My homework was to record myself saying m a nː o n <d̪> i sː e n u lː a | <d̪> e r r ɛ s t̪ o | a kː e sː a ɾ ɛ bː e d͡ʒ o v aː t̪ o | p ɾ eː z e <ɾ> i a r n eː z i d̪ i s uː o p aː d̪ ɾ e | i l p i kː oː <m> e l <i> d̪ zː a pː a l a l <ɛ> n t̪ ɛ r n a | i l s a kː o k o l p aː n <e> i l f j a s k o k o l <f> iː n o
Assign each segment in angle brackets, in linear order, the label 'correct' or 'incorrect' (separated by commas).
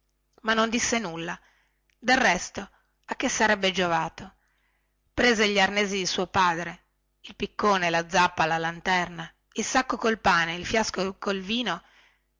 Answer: correct, correct, incorrect, incorrect, incorrect, incorrect, correct, incorrect